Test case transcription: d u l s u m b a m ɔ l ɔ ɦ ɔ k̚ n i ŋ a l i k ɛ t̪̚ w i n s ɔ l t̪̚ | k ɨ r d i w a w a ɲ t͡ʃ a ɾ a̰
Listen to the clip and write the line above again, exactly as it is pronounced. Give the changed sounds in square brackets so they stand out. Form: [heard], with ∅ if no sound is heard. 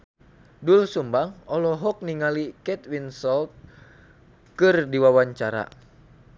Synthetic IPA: d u l s u m b a [ŋ] ɔ l ɔ ɦ ɔ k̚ n i ŋ a l i k ɛ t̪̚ w i n s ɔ l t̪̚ | k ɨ r d i w a w a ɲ t͡ʃ a ɾ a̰